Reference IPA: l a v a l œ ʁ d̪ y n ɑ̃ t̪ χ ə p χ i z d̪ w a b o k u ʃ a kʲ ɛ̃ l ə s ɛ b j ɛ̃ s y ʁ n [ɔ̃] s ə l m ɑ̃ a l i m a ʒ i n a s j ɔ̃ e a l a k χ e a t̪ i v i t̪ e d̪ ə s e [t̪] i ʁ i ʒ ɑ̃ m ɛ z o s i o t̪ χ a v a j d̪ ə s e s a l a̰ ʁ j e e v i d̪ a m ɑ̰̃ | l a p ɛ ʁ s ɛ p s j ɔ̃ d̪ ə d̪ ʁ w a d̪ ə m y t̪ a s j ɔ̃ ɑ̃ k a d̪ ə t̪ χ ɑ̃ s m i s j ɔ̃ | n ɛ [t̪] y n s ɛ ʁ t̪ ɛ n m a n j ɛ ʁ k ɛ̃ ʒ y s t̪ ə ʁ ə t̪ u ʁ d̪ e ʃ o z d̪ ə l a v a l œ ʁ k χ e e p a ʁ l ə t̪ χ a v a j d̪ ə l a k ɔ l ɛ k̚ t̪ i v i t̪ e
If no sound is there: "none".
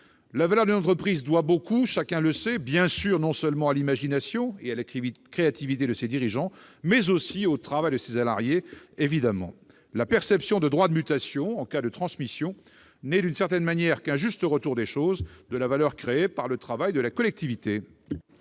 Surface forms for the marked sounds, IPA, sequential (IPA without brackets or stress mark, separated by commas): ɔ̃, d̪, d̪